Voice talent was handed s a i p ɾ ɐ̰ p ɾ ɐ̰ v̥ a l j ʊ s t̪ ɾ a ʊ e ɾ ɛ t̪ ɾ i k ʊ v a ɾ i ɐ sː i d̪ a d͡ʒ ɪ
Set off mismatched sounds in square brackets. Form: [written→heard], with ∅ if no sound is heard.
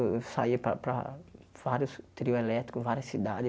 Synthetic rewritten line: s a i p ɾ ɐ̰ p ɾ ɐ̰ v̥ a [l→ɾ] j ʊ s t̪ ɾ [a→i] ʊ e [ɾ→l] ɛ t̪ ɾ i k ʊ v a ɾ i ɐ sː i d̪ a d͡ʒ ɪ